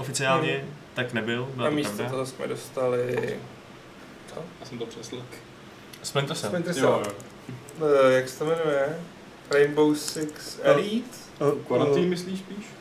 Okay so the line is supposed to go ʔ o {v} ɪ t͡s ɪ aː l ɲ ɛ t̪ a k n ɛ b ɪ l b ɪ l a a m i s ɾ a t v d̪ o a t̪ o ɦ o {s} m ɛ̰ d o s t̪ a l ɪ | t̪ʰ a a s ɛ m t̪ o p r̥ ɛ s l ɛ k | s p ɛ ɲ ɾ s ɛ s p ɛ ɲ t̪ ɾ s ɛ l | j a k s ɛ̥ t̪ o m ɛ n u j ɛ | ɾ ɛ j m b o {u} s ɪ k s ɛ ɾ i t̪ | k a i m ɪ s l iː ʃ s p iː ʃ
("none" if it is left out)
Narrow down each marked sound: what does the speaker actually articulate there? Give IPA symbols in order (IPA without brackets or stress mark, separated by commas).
f, s, w